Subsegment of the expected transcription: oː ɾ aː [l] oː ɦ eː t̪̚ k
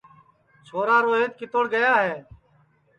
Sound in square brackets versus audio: incorrect: ɾ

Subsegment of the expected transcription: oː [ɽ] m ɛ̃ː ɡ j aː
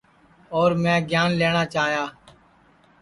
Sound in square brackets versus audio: incorrect: ɾ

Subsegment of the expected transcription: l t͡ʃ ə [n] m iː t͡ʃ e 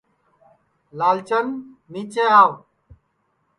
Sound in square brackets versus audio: correct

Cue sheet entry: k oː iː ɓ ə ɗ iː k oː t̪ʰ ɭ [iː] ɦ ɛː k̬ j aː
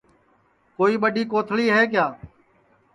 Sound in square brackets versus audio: correct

